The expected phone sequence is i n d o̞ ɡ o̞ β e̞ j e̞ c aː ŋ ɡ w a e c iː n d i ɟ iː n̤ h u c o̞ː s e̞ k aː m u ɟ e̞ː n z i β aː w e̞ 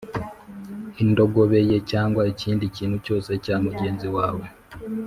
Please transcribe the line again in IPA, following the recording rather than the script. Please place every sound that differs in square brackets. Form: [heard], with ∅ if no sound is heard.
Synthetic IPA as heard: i n d o̞ ɡ o̞ β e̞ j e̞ c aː ŋ ɡ w a e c iː n d i [c] iː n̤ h u c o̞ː s e̞ [c] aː m u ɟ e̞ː n z i [w] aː w e̞